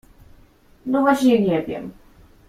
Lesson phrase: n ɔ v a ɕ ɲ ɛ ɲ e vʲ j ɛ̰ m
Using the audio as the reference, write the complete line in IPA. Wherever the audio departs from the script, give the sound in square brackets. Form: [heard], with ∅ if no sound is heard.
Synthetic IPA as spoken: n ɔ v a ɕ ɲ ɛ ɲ [ɛ] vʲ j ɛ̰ m